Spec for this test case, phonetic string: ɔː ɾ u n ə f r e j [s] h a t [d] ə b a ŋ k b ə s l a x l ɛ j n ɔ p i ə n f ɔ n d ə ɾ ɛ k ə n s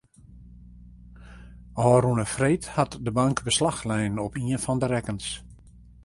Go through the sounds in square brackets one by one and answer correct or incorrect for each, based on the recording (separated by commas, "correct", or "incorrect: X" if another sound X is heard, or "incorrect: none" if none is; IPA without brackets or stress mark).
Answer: incorrect: t, correct